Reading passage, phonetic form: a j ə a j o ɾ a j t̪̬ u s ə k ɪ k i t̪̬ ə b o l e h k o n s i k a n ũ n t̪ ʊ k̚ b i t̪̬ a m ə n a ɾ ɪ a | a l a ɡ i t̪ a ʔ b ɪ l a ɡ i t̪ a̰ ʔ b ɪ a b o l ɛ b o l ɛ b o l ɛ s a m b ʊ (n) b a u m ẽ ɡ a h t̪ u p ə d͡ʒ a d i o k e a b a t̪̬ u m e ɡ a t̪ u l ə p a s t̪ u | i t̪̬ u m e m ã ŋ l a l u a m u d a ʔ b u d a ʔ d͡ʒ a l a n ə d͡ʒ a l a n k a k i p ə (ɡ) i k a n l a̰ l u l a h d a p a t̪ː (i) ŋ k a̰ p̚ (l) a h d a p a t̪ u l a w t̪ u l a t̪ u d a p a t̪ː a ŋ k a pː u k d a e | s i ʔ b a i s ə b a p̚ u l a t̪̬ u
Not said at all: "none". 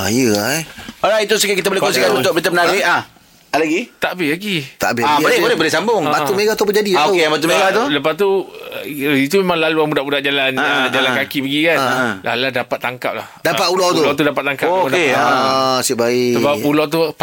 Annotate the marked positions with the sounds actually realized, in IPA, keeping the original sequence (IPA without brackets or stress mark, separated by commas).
ŋ, ɡ, a, l